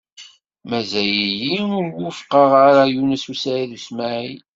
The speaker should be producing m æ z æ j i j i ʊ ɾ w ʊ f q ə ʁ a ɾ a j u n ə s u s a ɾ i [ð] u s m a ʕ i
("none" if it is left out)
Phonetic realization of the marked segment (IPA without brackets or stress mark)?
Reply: ð